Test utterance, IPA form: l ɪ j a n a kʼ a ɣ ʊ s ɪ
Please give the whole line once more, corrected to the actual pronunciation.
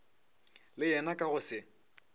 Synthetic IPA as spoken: l ɪ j ɛ n a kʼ a ɣ ʊ s ɪ